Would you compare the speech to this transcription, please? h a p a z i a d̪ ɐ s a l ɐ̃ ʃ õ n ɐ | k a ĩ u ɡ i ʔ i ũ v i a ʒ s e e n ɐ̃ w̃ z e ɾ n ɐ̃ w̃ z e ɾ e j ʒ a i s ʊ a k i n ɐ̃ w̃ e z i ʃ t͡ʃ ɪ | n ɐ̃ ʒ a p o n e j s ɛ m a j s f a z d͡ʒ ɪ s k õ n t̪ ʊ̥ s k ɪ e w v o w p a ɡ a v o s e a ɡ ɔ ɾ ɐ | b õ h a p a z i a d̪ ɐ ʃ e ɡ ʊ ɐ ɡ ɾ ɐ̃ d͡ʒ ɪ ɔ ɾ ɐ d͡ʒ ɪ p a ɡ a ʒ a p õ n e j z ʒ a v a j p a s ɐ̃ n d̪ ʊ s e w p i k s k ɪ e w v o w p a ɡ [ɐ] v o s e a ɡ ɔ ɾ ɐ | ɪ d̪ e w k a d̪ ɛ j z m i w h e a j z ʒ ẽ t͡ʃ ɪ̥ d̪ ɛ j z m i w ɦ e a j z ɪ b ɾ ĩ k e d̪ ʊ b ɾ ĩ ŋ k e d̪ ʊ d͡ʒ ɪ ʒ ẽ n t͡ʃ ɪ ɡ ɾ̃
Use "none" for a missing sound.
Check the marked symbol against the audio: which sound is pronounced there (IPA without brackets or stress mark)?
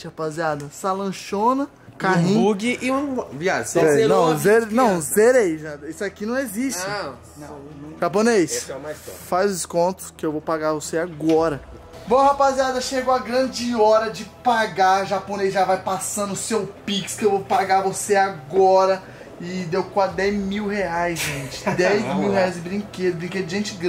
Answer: a